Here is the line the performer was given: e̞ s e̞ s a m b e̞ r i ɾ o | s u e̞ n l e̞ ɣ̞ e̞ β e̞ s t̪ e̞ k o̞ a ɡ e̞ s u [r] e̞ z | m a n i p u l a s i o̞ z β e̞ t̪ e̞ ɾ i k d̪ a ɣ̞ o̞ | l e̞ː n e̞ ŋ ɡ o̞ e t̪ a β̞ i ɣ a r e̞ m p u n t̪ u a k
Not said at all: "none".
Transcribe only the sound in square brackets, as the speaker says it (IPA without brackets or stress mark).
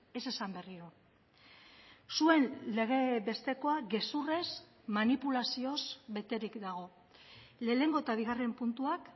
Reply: r